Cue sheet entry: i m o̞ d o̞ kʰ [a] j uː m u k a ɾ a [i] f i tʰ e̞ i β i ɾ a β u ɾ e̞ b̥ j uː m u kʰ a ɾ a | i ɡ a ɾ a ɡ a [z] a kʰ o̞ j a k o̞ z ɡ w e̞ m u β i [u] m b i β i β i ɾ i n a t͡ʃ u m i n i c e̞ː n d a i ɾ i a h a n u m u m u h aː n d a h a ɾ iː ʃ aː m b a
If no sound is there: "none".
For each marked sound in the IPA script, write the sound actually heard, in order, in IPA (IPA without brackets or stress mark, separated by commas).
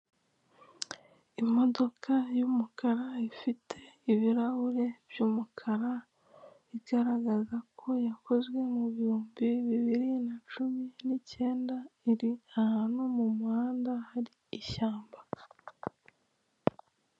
a, i, z, uː